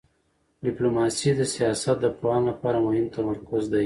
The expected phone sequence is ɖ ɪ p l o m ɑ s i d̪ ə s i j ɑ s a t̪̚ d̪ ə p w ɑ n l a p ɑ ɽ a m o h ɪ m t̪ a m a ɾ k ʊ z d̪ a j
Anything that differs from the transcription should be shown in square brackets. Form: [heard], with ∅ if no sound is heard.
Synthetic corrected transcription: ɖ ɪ p l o m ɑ s i d̪ ə s i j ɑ s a t̪̚ d̪ ə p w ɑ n l a p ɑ [ɾ] a m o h ɪ m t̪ a m a ɾ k ʊ z d̪ a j